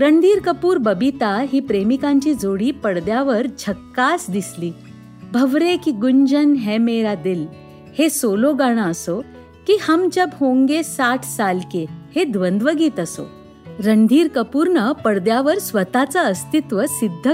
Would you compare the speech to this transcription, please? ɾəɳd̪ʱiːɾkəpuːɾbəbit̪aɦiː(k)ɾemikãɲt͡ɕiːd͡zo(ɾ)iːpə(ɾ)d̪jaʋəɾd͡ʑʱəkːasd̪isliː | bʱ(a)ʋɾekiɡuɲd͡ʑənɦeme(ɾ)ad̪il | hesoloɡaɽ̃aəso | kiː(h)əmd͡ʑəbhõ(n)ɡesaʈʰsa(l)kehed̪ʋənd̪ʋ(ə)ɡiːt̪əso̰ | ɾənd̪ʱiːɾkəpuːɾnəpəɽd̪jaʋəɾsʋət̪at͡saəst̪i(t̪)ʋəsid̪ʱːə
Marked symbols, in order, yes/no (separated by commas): no, no, no, no, yes, yes, no, yes, yes, yes